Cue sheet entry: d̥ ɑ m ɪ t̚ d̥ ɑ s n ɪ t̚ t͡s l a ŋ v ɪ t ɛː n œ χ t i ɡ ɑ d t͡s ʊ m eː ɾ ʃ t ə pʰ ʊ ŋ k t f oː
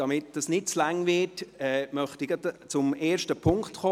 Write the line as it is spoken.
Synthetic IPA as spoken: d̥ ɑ m ɪ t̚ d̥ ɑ s n ɪ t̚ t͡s l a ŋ v ɪ t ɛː m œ χ t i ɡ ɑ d t͡s ʊ m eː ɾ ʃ t ə pʰ ʊ ŋ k t χ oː